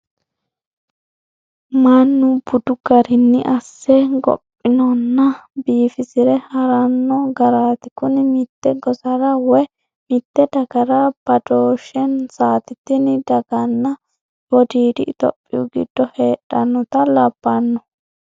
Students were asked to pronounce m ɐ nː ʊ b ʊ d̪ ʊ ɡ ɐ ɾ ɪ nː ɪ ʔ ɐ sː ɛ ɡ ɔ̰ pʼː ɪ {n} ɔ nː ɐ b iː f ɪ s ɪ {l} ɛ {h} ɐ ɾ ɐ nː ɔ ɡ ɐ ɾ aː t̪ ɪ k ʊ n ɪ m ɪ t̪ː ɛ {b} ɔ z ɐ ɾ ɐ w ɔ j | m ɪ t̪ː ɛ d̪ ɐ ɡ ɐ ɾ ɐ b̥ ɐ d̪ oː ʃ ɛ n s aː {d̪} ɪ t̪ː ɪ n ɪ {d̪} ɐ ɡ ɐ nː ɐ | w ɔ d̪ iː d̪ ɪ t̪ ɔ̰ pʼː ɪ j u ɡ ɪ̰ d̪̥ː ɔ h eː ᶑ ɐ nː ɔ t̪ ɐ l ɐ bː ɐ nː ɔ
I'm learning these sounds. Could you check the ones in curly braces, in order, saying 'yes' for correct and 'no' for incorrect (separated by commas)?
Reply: yes, no, yes, no, no, yes